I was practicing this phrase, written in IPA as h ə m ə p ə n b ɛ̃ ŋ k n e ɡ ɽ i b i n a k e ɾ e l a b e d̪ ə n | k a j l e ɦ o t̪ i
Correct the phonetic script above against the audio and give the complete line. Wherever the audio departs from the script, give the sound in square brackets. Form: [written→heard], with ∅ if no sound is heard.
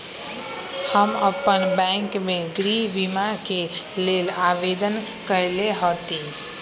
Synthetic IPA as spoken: h ə m ə p ə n b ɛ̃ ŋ k [n→m] e ɡ [ɽ→ɾ] i b i [n→m] a k e [ɾ→l] e l a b e d̪ ə n | k [a→ə] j l e ɦ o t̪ i